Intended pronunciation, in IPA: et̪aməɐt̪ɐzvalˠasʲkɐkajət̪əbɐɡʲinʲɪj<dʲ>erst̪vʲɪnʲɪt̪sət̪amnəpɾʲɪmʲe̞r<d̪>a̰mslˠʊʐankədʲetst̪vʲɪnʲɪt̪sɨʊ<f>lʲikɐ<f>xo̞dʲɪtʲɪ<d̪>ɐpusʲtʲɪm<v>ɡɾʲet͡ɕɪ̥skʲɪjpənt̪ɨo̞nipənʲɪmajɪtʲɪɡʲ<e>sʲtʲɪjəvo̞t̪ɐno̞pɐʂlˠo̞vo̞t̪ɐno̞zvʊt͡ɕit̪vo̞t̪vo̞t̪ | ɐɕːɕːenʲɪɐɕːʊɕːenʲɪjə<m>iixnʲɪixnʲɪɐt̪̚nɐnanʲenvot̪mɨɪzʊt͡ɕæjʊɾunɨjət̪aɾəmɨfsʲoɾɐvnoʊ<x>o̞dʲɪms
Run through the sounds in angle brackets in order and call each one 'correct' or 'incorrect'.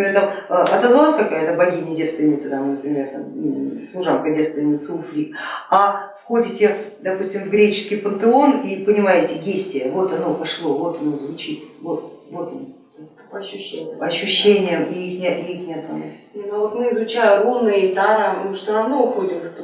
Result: correct, incorrect, correct, correct, correct, correct, correct, correct, correct

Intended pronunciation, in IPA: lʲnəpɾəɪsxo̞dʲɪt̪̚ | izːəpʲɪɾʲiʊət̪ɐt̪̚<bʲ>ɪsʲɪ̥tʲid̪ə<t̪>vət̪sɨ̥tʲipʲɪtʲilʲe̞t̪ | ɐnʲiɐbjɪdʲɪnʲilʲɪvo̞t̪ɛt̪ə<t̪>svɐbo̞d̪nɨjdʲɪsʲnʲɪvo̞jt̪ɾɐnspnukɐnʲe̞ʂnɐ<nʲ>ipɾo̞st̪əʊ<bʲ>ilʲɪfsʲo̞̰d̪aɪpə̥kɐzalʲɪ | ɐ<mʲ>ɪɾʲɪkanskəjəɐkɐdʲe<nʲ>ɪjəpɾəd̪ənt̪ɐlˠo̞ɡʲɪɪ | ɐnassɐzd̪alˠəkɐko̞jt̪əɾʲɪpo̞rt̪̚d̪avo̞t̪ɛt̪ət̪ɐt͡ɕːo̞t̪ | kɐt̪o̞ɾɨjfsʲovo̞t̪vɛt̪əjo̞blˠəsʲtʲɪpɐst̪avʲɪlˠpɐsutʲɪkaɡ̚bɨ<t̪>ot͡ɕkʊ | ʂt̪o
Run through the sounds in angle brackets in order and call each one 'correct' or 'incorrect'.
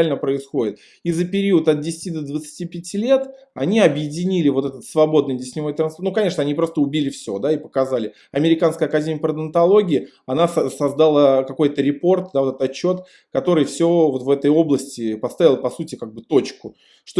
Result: incorrect, incorrect, correct, correct, correct, correct, incorrect, correct

